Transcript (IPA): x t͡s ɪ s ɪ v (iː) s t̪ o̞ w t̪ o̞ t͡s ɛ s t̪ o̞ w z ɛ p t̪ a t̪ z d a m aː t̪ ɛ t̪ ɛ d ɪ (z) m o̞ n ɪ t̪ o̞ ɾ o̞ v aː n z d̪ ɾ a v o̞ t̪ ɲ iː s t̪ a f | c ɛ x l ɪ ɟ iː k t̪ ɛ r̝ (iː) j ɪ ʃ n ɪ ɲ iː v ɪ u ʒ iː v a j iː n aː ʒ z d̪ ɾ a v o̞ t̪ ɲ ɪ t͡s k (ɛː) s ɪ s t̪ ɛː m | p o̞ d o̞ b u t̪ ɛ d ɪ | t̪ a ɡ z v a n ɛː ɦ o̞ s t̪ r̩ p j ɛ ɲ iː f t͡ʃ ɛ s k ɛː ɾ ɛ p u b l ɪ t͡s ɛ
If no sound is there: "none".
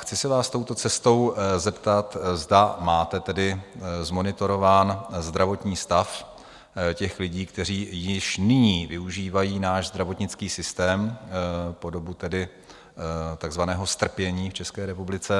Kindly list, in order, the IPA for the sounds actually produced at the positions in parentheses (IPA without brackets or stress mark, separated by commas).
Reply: aː, z, iː, iː